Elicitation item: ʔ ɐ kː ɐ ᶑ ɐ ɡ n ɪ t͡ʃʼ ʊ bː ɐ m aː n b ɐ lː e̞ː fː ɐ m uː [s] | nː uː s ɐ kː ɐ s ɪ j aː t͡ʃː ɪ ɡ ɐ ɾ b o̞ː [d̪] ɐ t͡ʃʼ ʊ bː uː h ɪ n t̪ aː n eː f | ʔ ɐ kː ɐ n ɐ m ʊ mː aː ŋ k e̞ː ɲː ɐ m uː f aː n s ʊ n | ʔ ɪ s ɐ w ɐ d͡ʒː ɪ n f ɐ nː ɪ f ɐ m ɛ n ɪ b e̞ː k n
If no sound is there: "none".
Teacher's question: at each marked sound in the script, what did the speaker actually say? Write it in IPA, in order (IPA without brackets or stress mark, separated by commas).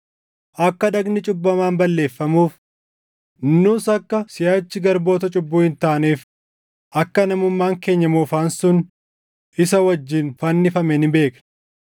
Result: f, t̪